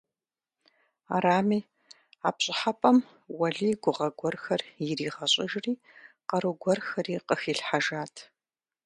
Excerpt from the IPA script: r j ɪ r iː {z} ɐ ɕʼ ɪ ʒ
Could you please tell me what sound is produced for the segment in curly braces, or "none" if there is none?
ʁ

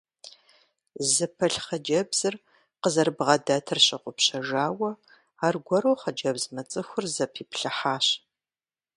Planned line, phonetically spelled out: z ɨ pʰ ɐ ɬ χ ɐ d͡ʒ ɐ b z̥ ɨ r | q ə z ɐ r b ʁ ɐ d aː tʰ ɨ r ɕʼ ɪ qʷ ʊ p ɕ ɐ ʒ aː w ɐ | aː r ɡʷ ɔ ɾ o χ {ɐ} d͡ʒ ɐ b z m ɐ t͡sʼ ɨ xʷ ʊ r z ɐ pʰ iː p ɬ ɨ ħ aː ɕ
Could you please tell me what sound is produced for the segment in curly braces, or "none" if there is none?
ɐ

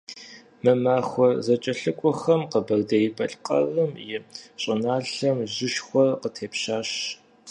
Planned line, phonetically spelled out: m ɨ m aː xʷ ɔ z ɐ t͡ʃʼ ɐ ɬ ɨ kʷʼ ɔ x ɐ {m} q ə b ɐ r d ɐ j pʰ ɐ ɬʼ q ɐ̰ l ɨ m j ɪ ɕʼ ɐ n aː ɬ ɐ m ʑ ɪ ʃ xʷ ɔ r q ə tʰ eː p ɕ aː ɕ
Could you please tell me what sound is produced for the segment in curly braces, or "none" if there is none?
m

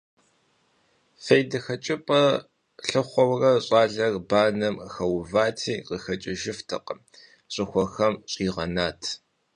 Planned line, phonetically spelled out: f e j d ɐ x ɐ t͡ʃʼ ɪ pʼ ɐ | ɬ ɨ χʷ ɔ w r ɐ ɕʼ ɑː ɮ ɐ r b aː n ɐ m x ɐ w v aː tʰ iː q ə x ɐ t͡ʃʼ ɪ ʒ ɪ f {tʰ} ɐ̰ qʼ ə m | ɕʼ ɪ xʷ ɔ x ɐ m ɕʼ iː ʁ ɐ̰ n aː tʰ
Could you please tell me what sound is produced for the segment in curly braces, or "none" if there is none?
tʰ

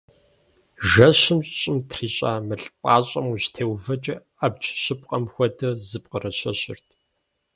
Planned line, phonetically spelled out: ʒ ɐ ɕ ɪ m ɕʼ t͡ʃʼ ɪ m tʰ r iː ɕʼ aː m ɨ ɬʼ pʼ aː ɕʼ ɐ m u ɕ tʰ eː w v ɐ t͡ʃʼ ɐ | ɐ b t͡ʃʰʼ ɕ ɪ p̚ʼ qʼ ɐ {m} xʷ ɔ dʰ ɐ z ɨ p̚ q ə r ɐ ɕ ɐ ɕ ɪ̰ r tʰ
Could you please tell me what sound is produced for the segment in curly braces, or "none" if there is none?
m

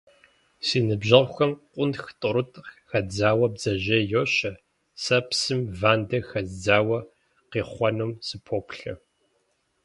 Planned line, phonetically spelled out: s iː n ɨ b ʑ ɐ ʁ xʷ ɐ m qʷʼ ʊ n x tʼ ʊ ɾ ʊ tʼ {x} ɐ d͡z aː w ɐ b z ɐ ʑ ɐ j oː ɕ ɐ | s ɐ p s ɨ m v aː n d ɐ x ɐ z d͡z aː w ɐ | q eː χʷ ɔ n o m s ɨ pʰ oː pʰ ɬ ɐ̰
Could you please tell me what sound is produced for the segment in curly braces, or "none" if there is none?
x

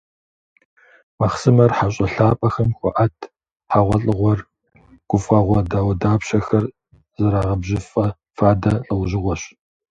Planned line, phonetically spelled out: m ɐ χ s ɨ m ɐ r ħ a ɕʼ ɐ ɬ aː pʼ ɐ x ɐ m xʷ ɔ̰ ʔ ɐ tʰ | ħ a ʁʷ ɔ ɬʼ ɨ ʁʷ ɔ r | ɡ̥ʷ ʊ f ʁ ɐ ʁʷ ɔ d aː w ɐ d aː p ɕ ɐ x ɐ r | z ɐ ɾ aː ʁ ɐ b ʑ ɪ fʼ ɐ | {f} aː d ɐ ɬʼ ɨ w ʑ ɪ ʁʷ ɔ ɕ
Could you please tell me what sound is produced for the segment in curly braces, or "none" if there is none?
f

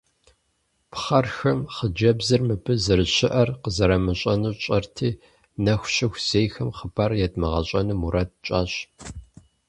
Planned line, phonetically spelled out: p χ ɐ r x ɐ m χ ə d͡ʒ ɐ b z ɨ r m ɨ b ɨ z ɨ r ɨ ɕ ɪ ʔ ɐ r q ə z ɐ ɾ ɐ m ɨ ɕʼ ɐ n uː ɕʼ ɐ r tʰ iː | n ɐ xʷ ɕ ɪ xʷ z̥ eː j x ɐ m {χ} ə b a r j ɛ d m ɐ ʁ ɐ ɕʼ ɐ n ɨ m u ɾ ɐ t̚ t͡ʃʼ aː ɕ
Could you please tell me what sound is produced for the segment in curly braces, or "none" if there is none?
χ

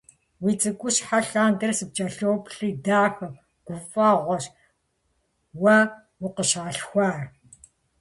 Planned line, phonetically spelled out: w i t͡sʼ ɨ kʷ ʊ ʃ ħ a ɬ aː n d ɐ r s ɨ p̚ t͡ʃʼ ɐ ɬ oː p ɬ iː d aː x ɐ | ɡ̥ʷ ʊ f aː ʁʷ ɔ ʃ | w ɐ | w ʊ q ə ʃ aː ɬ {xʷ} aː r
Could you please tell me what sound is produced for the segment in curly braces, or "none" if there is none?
xʷ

